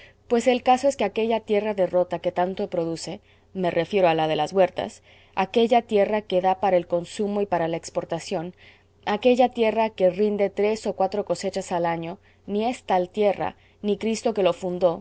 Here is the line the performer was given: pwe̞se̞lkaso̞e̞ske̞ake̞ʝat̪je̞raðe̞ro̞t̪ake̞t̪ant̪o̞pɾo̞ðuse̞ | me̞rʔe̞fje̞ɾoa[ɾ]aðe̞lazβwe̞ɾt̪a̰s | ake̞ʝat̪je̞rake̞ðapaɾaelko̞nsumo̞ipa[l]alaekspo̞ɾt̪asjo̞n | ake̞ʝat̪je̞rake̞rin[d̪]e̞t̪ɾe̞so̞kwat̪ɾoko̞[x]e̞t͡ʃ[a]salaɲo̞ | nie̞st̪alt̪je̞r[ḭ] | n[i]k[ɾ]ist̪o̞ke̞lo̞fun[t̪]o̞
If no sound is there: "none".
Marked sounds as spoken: l, ɾ, d̪, s, a, a̰, i, ɾ, d̪

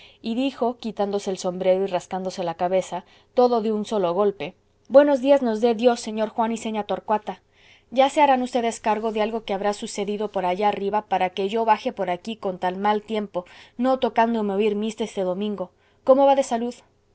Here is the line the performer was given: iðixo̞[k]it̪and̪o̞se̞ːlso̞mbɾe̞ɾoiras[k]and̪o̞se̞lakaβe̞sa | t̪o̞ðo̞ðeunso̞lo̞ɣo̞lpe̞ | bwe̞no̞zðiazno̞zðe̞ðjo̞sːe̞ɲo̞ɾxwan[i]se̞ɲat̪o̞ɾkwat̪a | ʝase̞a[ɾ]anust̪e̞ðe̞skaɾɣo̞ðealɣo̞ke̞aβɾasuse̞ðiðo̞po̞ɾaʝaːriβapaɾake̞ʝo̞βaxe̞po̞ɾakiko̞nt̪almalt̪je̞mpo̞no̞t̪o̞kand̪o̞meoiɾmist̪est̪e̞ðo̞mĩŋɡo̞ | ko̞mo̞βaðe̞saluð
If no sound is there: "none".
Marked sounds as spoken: k, k, i, ɾ

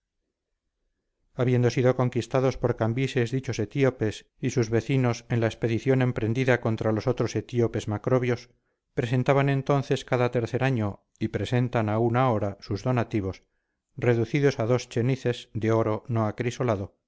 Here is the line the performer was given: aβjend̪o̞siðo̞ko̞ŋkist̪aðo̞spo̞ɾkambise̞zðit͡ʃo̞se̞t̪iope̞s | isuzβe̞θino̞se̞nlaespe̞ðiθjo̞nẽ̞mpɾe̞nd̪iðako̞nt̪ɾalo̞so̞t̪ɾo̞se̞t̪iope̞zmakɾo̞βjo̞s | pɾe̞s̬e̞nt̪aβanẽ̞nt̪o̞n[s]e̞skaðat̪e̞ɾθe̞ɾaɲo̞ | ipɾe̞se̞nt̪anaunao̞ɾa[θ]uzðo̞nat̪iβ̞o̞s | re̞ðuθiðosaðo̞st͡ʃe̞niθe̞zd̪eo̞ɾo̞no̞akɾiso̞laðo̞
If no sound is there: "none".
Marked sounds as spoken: θ, s

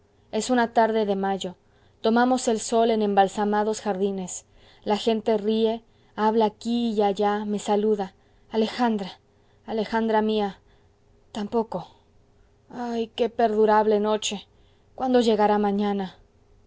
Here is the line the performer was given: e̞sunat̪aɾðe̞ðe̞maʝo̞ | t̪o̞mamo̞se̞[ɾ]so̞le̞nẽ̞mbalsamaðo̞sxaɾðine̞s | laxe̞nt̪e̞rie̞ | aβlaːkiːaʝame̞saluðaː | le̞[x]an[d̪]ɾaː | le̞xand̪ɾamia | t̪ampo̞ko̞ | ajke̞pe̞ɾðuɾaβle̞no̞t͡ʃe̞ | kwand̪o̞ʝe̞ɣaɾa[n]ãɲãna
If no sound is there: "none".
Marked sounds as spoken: l, x, d̪, m

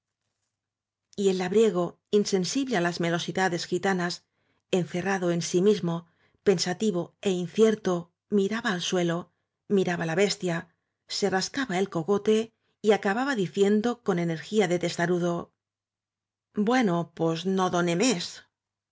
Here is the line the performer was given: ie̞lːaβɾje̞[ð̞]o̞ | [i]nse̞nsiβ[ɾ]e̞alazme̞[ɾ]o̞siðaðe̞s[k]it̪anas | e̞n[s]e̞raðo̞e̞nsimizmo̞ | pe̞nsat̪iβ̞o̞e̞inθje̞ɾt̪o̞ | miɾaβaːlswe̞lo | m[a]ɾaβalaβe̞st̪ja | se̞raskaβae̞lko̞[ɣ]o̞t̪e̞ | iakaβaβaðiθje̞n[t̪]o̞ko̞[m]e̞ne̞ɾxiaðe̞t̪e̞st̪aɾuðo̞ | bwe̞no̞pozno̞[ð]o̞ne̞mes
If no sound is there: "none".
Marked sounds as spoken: ɣ̞, i, l, l, x, θ, i, ɣ, d̪, n, ð

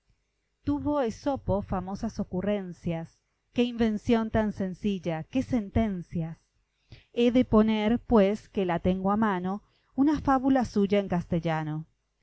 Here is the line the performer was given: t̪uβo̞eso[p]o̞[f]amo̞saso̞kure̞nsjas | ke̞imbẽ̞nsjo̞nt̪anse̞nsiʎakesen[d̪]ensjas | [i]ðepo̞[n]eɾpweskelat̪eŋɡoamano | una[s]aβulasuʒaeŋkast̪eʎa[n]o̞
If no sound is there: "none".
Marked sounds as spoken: p, f, t̪, e, n, f, n

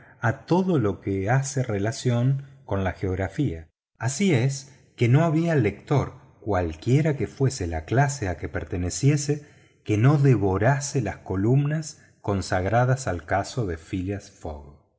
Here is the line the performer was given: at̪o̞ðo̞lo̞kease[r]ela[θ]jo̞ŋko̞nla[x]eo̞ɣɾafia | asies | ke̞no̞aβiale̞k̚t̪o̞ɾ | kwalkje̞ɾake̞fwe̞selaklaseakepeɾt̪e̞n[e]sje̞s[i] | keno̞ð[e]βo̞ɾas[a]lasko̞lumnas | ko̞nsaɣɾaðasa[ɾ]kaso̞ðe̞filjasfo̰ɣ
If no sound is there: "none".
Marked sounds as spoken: r, s, x, e, e, e, e, l

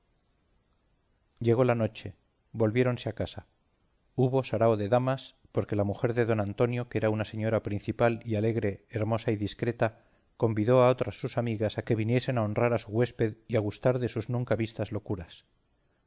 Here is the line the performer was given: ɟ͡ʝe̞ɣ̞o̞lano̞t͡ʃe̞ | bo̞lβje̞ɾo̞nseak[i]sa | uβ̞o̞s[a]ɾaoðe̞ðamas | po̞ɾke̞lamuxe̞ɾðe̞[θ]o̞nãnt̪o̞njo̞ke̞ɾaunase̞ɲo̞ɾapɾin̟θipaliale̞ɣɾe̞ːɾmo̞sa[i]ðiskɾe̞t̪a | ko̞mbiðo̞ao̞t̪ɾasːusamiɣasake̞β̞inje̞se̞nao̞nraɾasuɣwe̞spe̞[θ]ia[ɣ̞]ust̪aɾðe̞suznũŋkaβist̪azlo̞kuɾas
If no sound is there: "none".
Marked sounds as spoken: a, a, ð, i, ð, ɣ̞

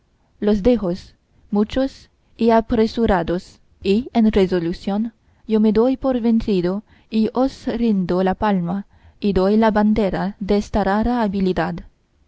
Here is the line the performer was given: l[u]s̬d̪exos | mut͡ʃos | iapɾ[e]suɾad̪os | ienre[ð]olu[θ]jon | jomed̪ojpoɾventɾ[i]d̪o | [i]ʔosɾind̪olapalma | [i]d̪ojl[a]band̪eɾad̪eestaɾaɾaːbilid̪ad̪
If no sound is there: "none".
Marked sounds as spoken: o, e, z, s, i, i, i, a

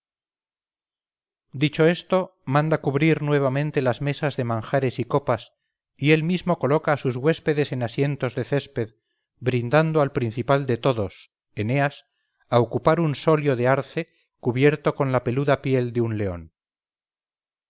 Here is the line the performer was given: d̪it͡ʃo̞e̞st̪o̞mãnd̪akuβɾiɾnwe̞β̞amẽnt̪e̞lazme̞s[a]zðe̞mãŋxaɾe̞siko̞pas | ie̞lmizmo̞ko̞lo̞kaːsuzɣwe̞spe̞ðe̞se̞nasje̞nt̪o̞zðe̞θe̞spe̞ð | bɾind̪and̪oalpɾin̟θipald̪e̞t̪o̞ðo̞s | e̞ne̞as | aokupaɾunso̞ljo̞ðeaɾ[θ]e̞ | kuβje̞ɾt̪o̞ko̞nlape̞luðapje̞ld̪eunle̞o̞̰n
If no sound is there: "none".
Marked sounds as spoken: a, θ

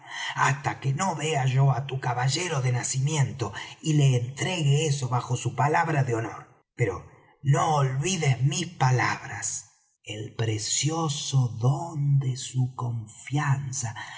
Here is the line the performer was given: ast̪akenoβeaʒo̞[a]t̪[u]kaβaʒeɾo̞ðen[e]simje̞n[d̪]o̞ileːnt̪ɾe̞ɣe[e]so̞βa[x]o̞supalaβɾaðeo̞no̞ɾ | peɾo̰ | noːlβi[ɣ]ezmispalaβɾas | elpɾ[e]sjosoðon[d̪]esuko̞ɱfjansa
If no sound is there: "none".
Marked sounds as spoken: a, u, a, t̪, e, x, ð, e, d̪

